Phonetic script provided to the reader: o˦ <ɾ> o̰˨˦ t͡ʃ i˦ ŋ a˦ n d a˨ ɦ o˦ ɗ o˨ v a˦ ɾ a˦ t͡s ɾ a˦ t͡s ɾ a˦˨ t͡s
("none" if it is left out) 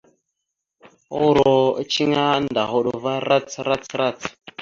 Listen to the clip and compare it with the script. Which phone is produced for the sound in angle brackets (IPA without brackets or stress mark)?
ɾ